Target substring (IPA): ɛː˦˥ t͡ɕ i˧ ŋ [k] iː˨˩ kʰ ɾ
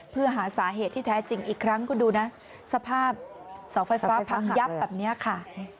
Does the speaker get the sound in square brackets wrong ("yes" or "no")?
yes